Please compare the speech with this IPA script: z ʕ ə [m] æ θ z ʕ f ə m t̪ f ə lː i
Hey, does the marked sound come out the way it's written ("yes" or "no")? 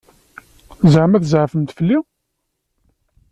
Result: yes